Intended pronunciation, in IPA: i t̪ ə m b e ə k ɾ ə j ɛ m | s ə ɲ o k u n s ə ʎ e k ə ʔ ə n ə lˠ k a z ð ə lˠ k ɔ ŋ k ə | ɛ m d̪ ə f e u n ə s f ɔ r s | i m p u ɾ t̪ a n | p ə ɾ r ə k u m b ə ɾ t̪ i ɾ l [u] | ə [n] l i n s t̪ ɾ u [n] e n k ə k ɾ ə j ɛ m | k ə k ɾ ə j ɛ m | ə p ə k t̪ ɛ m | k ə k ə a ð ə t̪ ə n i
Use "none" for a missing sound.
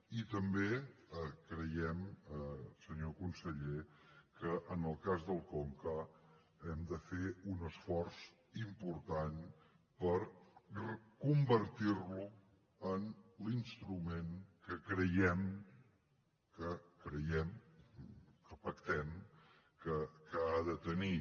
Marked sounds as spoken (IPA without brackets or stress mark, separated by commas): u, n, m